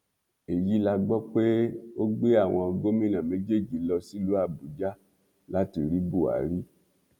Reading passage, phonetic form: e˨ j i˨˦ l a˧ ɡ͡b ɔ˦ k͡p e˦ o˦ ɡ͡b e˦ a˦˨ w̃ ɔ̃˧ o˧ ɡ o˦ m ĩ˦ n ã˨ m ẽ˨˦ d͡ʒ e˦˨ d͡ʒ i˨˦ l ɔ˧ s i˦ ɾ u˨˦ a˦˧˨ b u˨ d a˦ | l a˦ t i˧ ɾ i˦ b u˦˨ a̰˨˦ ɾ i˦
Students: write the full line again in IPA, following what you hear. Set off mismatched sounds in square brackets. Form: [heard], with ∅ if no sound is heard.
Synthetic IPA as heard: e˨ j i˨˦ l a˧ ɡ͡b ɔ˦ k͡p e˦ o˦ ɡ͡b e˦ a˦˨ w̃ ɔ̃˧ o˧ ɡ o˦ m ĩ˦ n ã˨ m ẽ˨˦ d͡ʒ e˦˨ d͡ʒ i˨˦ l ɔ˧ s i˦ [l] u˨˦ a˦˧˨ b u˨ [d͡ʒ] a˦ | l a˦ t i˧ ɾ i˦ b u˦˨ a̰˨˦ ɾ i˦